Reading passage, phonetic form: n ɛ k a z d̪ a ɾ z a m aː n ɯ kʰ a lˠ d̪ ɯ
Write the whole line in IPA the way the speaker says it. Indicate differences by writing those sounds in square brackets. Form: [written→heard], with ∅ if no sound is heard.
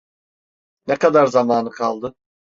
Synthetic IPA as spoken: n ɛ k a [z→∅] d̪ a ɾ z a m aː n ɯ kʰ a lˠ d̪ ɯ